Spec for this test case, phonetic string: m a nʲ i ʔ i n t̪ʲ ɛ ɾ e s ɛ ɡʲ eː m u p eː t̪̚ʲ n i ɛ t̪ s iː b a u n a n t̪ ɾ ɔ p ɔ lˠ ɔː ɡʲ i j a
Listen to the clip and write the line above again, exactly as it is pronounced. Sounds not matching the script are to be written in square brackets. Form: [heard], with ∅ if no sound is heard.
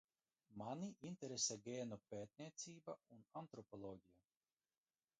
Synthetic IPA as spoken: m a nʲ i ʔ i n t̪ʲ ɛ ɾ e s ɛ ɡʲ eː [n] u p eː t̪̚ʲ n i ɛ t̪ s iː b a u n a n t̪ ɾ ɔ p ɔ lˠ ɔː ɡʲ i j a